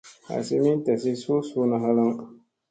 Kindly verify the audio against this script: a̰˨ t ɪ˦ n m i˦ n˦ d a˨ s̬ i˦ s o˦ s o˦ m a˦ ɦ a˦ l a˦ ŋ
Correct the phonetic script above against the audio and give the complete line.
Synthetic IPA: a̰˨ s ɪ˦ m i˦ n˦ t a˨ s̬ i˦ s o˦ s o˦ n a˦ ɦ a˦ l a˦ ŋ